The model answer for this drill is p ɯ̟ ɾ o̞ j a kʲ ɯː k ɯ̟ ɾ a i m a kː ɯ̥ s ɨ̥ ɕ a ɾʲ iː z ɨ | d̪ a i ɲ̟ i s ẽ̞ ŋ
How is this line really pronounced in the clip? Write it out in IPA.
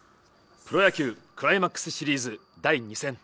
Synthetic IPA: p ɯ̟ ɾ o̞ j a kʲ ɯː k ɯ̟ ɾ a i m a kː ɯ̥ s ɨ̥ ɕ i ɾʲ iː z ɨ | d̪ a i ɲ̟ i s ẽ̞ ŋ

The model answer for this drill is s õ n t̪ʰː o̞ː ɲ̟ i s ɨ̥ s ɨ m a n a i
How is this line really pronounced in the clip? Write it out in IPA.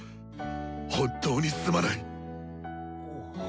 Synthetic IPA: h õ n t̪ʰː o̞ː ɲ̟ i s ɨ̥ s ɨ m a n a i

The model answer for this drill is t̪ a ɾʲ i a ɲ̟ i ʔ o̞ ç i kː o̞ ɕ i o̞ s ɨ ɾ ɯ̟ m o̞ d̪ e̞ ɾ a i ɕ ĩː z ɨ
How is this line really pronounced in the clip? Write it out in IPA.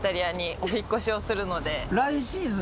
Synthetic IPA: t̪ a ɾʲ i a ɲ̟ i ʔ o̞ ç i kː o̞ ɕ i o̞ s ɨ ɾ ɯ̟ n o̞ d̪ e̞ ɾ a i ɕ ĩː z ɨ

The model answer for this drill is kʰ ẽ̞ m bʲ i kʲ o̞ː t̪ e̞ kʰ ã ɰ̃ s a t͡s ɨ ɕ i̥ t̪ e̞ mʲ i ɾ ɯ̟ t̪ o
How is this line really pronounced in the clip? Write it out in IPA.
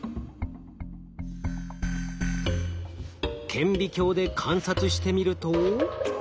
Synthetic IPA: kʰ ẽ̞ m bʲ i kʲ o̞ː d̪ e̞ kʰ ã ɰ̃ s a t͡s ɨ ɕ i̥ t̪ e̞ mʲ i ɾ ɯ̟ t̪ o

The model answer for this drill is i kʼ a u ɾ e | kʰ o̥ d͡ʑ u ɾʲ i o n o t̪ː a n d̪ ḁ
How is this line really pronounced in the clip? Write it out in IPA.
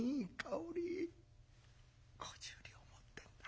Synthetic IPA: i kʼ a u ɾ i | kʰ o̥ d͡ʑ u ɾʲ i o m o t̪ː e n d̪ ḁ

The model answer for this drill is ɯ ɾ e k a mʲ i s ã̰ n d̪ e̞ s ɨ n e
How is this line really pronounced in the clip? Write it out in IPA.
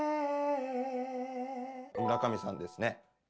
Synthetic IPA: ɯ ɾ a k a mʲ i s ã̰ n d̪ e̞ s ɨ n e

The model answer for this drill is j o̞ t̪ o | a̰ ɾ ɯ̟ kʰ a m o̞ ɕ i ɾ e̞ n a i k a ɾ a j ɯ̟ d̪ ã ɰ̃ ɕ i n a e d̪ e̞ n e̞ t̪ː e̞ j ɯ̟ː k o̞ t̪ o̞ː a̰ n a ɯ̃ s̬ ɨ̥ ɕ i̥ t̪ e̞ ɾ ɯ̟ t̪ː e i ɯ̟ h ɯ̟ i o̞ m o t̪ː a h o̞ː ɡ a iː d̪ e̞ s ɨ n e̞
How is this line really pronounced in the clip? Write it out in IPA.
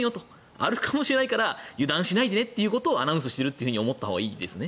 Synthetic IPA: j o̞ t̪ o | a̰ ɾ ɯ̟ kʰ a m o̞ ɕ i ɾ e̞ n a i k a ɾ a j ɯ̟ d̪ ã ɰ̃ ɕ i n a i d̪ e̞ n e̞ t̪ː e̞ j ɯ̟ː k o̞ t̪ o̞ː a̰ n a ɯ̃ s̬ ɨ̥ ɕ i̥ t̪ e̞ ɾ ɯ̟ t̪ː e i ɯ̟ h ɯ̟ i o̞ m o t̪ː a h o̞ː ɡ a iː d̪ e̞ s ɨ n e̞

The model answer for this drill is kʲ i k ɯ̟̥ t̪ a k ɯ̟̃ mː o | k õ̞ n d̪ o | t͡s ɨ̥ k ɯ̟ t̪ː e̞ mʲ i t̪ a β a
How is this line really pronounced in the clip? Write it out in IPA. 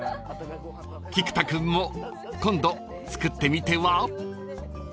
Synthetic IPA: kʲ i k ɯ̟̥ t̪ a k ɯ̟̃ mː o | k õ̞ n d̪ o | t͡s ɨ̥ k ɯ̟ t̪ː e̞ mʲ i t̪ e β a

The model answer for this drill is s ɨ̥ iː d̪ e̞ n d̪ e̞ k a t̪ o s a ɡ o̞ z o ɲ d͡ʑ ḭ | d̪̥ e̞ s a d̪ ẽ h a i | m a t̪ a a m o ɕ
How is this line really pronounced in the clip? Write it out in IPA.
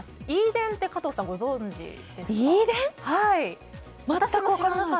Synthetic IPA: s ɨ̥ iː d̪ ẽ̞ n t̪ e̞ k a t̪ o s a ɡ o̞ z õ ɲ d͡ʑ ḭ | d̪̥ e̞ s i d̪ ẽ h a i | m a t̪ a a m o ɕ

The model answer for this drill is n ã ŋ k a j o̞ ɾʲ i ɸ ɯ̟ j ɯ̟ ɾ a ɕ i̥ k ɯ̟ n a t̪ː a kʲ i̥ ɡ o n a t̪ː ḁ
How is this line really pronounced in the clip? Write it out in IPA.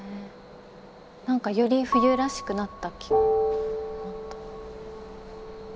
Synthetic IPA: n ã ŋ k a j o̞ ɾʲ i ɸ ɯ̟ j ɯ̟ ɾ a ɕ i̥ k ɯ̟ n a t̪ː a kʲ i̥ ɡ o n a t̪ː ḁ

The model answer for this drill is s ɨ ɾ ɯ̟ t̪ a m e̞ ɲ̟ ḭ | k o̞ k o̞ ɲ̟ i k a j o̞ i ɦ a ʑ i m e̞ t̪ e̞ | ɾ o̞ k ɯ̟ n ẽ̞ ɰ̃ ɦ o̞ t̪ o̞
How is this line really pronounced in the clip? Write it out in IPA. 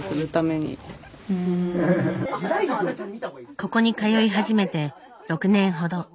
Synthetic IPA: s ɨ ɾ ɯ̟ t̪ a m e̞ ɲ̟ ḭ | k o̞ k o̞ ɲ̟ i k a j o̞ i ɦ a ʑ i m e̞ t̪ e̞ | ɾ o̞ k ɯ̟ n ẽ̞ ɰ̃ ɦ o̞ d̪ o̞

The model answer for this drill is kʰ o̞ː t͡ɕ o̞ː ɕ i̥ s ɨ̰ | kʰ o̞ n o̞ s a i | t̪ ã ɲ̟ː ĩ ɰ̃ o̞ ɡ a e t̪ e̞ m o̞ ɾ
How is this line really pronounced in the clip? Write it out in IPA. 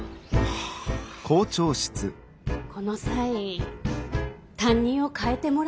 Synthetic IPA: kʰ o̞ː t͡ɕ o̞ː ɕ i̥ t͡s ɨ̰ | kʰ o̞ n o̞ s a i | t̪ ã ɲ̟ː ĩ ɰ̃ o̞ k a e t̪ e̞ m o̞ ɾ

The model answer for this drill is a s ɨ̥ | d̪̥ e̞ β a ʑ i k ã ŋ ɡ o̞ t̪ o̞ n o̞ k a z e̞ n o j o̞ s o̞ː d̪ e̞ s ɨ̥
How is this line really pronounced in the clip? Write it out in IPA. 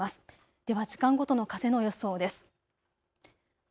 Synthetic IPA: a s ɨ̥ | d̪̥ e̞ β a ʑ i k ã ŋ ɡ o̞ t̪ o̞ n o̞ k a z e̞ n o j o̞ s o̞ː d̪ e̞ s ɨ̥

